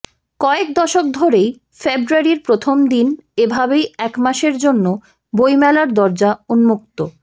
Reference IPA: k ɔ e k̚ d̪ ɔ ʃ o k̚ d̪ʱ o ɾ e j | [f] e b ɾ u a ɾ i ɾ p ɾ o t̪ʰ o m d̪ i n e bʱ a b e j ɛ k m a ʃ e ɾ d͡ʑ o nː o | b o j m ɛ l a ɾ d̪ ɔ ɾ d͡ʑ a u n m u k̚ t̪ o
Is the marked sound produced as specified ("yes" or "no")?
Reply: yes